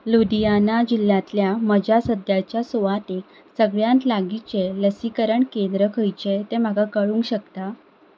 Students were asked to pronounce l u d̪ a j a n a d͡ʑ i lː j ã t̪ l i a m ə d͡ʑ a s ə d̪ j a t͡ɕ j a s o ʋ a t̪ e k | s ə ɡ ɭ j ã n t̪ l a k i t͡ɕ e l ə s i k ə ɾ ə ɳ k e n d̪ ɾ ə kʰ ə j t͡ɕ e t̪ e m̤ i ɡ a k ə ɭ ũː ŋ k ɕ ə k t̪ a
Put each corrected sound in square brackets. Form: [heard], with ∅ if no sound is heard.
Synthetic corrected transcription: l u d̪ [i] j a n a d͡ʑ i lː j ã t̪ l [j] a m ə d͡ʑ a s ə d̪ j a t͡ɕ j a s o ʋ a t̪ e k | s ə ɡ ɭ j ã n t̪ l a [ɡ] i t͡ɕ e l ə s i k ə ɾ ə ɳ k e n d̪ ɾ ə kʰ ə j t͡ɕ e t̪ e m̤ [a] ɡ a k ə ɭ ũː ŋ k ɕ ə k t̪ a

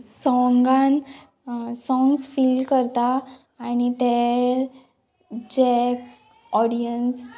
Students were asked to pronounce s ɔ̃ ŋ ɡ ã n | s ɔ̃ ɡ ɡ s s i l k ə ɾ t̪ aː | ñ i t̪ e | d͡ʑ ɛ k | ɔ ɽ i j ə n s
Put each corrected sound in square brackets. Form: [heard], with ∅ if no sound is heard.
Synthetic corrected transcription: s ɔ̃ ŋ ɡ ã n | s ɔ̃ [ŋ] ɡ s [f] i l k ə ɾ t̪ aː | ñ i t̪ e | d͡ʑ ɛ k | ɔ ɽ i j ə n s

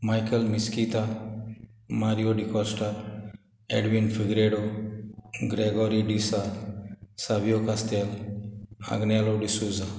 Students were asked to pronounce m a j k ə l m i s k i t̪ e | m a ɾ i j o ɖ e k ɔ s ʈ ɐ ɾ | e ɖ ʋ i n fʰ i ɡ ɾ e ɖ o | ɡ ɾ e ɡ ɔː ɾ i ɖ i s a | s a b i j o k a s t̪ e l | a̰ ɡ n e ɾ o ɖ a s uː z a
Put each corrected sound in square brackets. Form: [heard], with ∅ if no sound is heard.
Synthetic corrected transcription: m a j k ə l m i s k i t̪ [a] | m a ɾ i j o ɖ [i] k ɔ s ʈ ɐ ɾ | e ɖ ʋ i n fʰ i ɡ ɾ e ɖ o | ɡ ɾ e ɡ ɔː ɾ i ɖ i s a | s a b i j o k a s t̪ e l | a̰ ɡ n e [l] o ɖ [i] s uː z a

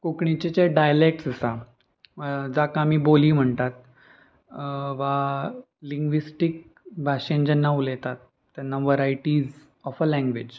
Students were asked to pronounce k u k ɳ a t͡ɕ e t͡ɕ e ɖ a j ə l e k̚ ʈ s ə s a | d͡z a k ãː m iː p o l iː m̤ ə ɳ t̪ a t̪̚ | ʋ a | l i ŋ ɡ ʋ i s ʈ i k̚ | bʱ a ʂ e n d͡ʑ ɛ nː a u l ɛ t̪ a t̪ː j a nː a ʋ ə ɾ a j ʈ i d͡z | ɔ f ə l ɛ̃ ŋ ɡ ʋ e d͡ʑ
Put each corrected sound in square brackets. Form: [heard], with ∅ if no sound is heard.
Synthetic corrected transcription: k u k ɳ [i] t͡ɕ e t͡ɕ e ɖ a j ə l e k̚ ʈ s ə s a | d͡z a k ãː m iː [b] o l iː m̤ ə ɳ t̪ a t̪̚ | ʋ a | l i ŋ ɡ ʋ i s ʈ i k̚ | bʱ a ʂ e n d͡ʑ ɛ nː a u l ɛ t̪ a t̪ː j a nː a ʋ ə ɾ a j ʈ i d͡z | ɔ f ə l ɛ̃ ŋ ɡ ʋ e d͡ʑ

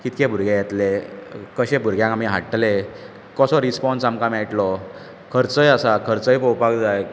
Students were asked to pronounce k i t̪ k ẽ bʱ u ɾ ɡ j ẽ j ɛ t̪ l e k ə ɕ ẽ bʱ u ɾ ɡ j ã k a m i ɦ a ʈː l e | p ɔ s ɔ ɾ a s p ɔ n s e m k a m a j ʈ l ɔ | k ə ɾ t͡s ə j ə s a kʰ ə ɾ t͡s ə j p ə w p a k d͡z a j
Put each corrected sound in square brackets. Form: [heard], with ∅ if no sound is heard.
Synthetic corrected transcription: k i t̪ k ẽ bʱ u ɾ ɡ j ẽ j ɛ t̪ l e k ə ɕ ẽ bʱ u ɾ ɡ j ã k a m i ɦ a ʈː l e | [k] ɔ s ɔ ɾ [i] s p ɔ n s [a] m k a m a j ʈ l ɔ | [kʰ] ə ɾ t͡s ə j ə s a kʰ ə ɾ t͡s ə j p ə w p a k d͡z a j

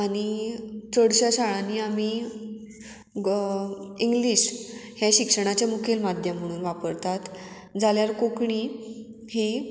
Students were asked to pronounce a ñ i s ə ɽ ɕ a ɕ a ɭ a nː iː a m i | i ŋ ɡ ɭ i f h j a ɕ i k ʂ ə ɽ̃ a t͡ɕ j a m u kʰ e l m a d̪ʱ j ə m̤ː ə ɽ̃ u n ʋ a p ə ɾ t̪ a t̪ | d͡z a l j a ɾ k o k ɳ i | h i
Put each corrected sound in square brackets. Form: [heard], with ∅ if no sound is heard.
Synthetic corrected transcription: a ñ i [t͡s] ə ɽ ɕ a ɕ a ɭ a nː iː a m i | i ŋ ɡ [l] i [ɕ] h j a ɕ i k ʂ ə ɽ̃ a t͡ɕ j a m u kʰ e l m a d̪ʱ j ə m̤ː ə ɽ̃ [uː] n ʋ a p ə ɾ t̪ a t̪ | d͡z a l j a ɾ k o k ɳ i | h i

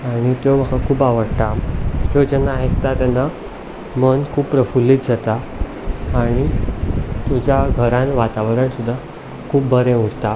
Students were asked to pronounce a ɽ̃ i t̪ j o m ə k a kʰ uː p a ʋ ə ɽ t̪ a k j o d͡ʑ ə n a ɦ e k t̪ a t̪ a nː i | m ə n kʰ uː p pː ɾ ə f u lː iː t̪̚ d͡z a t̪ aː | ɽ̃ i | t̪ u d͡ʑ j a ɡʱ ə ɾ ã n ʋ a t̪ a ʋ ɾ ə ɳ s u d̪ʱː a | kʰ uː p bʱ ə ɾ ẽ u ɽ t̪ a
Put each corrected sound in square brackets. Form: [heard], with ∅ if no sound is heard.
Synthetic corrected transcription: a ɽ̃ i t̪ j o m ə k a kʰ uː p a ʋ ə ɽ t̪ a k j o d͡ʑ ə n a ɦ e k t̪ a t̪ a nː [a] | m ə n kʰ uː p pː ɾ ə f u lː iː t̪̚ d͡z a t̪ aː | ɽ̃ i | t̪ u d͡ʑ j a ɡʱ ə ɾ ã n ʋ a t̪ a ʋ ɾ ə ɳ s u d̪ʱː a | kʰ uː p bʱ ə ɾ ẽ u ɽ t̪ a

